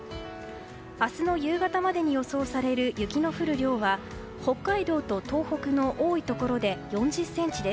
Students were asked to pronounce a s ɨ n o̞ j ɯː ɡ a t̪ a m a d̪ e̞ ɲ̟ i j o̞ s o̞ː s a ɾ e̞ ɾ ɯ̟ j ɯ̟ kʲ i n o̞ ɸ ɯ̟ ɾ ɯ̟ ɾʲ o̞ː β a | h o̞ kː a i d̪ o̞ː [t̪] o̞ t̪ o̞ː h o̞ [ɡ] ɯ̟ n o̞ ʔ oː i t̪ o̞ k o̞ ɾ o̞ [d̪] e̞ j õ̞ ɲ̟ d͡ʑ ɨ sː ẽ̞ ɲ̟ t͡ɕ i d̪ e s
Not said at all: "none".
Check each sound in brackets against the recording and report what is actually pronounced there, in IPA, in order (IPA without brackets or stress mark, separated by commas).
t̪, k, d̪